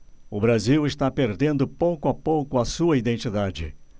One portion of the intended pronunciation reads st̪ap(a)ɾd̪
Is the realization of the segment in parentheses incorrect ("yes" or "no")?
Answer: yes